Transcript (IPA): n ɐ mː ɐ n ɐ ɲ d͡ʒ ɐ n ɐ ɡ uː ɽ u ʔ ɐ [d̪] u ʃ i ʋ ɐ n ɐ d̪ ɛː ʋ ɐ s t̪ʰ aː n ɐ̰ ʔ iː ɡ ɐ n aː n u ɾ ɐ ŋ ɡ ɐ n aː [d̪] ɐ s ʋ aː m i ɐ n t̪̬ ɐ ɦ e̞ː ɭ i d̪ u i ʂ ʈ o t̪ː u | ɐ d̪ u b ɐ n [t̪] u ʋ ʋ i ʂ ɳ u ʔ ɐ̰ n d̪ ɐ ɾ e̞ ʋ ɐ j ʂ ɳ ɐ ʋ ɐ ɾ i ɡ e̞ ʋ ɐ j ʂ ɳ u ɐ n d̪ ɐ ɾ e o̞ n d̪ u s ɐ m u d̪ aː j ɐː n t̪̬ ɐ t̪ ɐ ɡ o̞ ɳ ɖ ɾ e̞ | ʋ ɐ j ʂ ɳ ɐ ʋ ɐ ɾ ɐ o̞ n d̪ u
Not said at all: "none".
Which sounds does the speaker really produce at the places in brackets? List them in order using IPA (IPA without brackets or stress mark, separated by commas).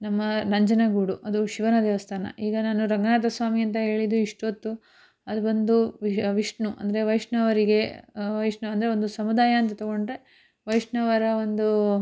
d̪, t̪, d̪